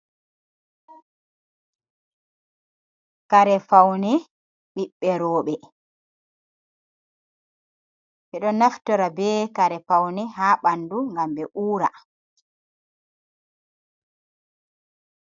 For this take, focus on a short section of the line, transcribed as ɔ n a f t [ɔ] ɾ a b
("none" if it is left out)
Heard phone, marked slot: ɔ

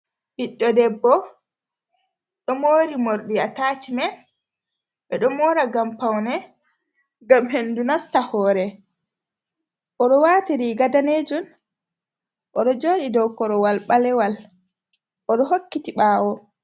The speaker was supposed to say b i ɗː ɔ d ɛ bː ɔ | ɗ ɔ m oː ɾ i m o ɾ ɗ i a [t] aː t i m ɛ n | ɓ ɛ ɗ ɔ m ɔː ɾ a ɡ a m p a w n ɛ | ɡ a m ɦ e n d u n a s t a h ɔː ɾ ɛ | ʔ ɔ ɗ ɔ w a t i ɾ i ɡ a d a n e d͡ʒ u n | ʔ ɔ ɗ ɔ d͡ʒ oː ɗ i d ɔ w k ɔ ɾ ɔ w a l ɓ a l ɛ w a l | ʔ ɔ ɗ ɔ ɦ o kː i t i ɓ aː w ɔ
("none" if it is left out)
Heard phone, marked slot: t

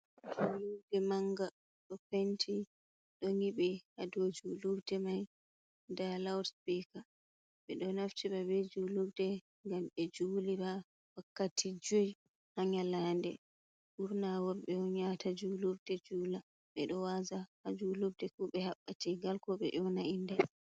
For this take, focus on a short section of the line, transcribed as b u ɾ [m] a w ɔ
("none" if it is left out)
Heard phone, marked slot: n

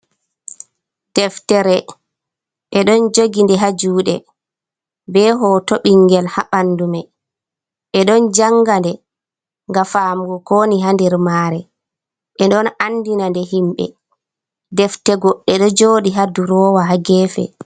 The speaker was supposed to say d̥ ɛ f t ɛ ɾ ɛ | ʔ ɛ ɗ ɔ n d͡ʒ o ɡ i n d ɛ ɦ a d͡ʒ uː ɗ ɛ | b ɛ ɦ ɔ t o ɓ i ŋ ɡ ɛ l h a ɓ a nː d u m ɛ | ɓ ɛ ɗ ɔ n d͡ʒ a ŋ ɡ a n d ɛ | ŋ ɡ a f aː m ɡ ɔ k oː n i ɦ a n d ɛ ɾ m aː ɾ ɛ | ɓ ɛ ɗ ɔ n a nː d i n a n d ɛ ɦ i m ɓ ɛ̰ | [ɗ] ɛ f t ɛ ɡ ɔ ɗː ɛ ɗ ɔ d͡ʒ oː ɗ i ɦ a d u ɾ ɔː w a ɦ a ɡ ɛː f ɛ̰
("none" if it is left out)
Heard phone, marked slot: d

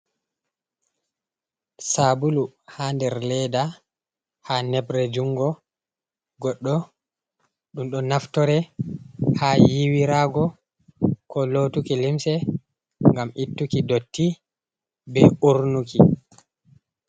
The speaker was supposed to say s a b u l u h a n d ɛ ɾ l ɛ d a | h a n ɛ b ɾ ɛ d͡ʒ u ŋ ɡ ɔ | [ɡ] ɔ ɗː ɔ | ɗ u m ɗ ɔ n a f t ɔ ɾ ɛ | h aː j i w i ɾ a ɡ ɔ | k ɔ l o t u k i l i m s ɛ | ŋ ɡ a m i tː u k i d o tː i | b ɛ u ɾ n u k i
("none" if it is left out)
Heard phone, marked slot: ɡ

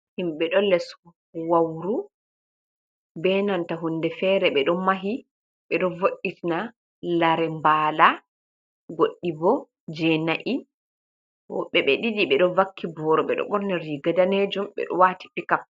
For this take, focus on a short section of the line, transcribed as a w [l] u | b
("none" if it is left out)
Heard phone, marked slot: ɾ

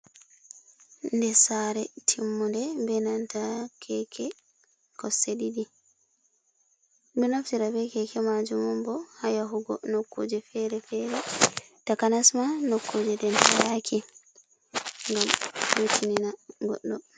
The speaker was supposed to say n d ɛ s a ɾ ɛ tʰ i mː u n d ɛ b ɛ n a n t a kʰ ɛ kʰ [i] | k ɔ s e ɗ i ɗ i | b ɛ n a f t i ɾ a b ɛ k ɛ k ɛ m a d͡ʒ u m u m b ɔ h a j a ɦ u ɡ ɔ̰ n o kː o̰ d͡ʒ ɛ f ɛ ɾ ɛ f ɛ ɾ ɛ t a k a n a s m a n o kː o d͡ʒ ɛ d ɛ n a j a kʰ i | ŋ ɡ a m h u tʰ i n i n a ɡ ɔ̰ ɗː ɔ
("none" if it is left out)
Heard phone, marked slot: ɛ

